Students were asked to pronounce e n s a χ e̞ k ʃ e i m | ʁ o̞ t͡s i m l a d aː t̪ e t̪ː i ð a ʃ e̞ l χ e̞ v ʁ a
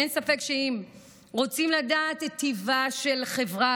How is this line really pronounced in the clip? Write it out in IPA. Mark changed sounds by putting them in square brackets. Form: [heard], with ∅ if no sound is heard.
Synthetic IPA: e n s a [f] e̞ k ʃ e i m | ʁ o̞ t͡s i m l a d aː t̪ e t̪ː i [v] a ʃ e̞ l χ e̞ v ʁ a